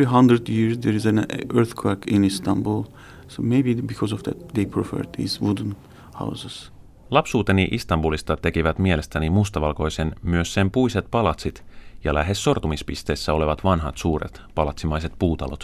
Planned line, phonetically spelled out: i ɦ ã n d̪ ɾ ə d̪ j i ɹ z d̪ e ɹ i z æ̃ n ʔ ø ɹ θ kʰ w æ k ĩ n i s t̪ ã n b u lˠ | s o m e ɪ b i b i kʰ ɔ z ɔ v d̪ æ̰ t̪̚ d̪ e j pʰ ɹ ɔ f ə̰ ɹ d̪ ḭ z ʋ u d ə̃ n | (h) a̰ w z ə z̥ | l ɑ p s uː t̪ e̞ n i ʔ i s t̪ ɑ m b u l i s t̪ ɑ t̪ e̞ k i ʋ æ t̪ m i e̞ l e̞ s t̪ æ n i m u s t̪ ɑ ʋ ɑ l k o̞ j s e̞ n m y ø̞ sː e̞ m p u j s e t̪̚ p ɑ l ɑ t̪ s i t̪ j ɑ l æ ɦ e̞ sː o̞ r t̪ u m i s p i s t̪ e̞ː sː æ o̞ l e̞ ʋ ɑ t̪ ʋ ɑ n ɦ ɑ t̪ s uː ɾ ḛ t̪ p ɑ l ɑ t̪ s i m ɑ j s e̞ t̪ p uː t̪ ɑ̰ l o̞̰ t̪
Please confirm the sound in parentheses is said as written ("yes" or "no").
yes